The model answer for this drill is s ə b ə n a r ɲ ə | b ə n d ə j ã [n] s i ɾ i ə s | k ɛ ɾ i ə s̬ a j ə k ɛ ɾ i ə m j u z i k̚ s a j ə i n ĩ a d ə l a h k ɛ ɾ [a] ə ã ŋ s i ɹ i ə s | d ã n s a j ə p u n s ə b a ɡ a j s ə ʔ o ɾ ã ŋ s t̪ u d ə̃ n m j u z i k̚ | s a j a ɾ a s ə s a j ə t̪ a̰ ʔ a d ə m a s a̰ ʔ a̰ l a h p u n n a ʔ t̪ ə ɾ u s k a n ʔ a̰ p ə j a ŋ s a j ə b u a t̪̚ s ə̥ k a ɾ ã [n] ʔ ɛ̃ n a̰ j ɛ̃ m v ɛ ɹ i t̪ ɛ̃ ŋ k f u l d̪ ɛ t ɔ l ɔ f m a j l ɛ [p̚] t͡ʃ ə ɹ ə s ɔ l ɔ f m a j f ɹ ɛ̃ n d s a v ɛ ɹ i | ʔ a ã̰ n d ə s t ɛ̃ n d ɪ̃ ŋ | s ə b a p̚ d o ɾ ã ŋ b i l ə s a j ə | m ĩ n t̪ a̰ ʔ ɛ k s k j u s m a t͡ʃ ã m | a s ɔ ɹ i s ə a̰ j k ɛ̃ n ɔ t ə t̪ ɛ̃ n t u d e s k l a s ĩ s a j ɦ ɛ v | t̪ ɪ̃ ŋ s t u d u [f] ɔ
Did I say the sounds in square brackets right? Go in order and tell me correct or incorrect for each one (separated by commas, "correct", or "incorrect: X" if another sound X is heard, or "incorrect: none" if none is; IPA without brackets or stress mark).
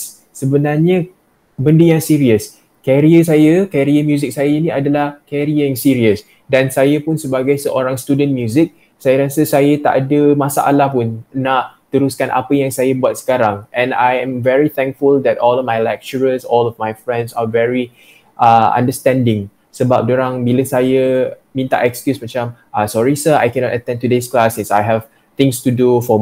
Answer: incorrect: ŋ, incorrect: i, incorrect: ŋ, incorrect: k̚, correct